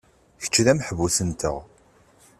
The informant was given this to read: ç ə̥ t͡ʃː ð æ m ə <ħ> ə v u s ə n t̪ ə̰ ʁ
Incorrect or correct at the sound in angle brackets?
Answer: correct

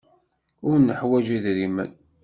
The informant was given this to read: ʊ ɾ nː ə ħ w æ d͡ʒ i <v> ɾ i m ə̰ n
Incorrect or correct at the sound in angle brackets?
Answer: incorrect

